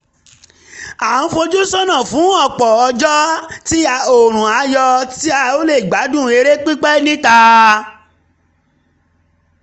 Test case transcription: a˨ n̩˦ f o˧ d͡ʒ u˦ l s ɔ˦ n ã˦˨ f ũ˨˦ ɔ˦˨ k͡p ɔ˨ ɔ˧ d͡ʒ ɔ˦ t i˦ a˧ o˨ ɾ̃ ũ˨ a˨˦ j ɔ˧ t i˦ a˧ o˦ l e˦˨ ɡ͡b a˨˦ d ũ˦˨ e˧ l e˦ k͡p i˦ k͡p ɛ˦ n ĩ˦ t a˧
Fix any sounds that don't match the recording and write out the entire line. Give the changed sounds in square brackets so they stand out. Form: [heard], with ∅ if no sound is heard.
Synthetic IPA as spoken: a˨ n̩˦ f o˧ d͡ʒ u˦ [∅] s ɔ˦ n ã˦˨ f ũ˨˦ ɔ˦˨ k͡p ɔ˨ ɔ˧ d͡ʒ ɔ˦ t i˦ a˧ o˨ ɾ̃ ũ˨ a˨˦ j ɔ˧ t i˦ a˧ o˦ l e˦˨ ɡ͡b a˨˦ d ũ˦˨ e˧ [ɾ] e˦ k͡p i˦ k͡p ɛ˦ n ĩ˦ t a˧